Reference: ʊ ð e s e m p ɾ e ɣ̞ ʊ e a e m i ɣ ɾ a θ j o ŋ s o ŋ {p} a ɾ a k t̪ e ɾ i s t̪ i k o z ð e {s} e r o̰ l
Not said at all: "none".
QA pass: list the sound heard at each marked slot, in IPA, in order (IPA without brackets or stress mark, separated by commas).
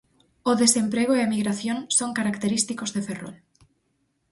k, f